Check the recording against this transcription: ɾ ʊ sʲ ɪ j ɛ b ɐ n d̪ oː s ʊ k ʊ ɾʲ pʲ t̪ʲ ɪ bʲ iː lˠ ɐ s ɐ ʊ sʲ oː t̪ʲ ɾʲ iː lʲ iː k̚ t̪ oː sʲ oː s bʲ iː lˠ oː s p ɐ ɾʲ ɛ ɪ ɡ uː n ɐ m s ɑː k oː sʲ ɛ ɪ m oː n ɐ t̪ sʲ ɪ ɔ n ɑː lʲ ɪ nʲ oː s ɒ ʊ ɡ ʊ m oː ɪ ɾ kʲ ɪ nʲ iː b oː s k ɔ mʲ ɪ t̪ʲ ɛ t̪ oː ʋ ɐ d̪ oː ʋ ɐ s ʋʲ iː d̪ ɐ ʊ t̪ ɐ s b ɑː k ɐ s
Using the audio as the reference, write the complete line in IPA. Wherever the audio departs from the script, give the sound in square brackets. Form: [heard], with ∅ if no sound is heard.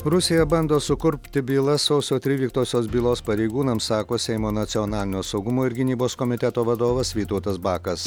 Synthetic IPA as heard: ɾ ʊ sʲ ɪ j ɛ b ɐ n d̪ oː s ʊ k ʊ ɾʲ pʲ t̪ʲ ɪ bʲ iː lˠ ɐ s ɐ ʊ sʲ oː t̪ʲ ɾʲ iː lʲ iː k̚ t̪ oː sʲ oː s bʲ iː lˠ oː s p ɐ ɾʲ ɛ ɪ ɡ uː n ɐ m s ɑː k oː sʲ ɛ ɪ m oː n ɐ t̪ sʲ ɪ ɔ n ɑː lʲ ɪ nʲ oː s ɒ ʊ ɡ ʊ m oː ɪ ɾ [ɡʲ] ɪ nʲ iː b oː s k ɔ mʲ ɪ t̪ʲ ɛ t̪ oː ʋ ɐ d̪ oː ʋ ɐ s ʋʲ iː [t̪] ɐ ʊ t̪ ɐ s b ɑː k ɐ s

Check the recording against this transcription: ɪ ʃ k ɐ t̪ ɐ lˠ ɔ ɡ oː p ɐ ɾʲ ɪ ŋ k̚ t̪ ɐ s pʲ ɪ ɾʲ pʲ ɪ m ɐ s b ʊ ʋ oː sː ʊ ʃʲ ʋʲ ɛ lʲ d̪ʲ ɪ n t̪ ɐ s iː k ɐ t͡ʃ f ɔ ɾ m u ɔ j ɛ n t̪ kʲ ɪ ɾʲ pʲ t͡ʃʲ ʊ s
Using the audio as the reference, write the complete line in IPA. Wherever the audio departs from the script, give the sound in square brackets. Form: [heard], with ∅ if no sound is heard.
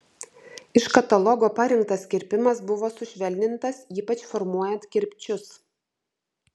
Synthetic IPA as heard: ɪ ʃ k ɐ t̪ ɐ lˠ ɔ ɡ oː p ɐ ɾʲ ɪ ŋ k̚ t̪ ɐ s [kʲ] ɪ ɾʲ pʲ ɪ m ɐ s b ʊ ʋ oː [s] ʊ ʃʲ ʋʲ ɛ lʲ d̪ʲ ɪ n t̪ ɐ s iː [p] ɐ t͡ʃ f ɔ ɾ m u ɔ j ɛ n t̪ kʲ ɪ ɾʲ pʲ t͡ʃʲ ʊ s

